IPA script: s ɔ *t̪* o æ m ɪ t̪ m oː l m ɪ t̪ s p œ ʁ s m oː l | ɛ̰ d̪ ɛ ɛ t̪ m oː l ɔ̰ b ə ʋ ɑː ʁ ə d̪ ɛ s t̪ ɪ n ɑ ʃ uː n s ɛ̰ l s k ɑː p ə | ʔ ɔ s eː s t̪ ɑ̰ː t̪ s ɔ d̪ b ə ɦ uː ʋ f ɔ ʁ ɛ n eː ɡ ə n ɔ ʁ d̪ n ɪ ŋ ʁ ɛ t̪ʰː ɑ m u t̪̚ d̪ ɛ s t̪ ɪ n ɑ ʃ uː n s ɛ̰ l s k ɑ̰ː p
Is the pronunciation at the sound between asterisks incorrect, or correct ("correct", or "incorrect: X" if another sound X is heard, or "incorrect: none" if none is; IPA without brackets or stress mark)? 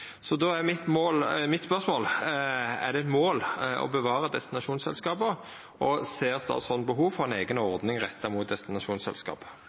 incorrect: d̪